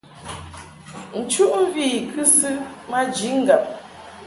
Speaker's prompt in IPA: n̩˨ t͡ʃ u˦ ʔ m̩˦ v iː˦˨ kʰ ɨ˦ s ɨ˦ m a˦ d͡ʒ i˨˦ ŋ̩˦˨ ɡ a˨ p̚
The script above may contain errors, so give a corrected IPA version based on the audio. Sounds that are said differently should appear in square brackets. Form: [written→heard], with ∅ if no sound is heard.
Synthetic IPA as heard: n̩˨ t͡ʃ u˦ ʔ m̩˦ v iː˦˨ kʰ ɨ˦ s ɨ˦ m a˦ d͡ʒ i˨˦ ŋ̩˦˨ ɡ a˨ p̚